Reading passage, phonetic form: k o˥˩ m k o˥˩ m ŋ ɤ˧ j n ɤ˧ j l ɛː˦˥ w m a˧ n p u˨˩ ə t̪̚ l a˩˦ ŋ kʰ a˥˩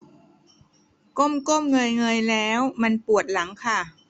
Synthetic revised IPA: k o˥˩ m k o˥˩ m ŋ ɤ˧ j ŋ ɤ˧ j l ɛː˦˥ w m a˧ n p u˨˩ ə t̪̚ l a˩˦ ŋ kʰ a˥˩